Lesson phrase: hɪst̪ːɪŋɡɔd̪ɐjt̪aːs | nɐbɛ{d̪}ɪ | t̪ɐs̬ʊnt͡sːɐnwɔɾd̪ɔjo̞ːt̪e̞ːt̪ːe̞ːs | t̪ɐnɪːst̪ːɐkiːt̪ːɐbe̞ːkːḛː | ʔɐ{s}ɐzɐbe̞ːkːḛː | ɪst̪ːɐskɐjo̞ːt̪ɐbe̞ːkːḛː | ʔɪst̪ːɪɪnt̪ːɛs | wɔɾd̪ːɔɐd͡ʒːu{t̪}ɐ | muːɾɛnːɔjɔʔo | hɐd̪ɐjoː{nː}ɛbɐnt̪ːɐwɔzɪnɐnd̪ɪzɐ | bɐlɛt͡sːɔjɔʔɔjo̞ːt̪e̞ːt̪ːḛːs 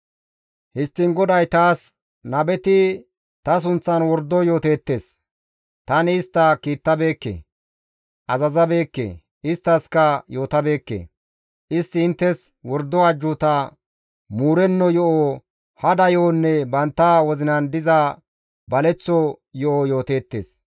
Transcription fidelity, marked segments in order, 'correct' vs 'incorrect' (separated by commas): incorrect, incorrect, correct, correct